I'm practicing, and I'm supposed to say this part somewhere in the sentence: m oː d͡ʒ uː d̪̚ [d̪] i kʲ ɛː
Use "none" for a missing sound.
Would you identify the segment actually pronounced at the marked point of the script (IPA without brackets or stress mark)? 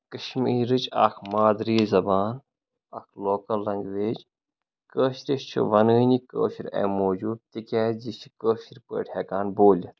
t̪